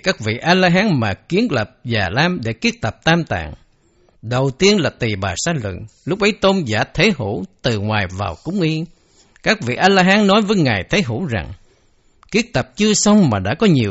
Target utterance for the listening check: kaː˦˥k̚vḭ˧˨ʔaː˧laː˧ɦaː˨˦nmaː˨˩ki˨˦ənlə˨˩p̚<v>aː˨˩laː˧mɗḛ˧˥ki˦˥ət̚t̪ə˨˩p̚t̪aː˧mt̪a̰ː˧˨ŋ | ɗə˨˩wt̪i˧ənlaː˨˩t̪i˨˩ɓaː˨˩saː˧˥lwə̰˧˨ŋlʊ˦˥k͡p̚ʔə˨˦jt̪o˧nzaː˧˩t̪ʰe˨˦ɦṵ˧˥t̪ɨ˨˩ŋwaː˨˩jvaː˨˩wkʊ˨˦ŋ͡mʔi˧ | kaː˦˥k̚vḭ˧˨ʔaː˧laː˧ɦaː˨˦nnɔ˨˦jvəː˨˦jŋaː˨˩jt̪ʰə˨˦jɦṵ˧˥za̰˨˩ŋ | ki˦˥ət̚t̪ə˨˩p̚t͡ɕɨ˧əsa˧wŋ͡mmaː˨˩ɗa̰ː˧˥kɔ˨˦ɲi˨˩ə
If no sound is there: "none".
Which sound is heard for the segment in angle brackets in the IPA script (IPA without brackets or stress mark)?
z